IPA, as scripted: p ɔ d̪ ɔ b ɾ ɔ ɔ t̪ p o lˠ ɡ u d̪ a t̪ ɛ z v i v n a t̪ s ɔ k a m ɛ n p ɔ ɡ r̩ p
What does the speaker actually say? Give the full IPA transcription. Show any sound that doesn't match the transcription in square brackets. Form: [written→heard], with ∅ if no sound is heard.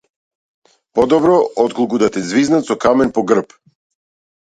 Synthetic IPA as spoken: p ɔ d̪ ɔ b ɾ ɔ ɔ t̪ [p→k] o lˠ [ɡ→k] u d̪ a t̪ ɛ z v i [v→z] n a t̪ s ɔ k a m ɛ n p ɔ ɡ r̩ p